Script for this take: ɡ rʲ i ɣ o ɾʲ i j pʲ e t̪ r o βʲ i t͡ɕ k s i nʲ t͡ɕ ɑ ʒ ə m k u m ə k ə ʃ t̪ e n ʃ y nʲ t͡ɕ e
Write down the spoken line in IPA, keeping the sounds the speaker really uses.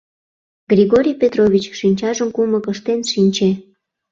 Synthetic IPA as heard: ɡ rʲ i ɣ o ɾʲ i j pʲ e t̪ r o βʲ i t͡ɕ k ʃ i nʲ t͡ɕ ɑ ʒ ə m k u m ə k ə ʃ t̪ e n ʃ i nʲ t͡ɕ e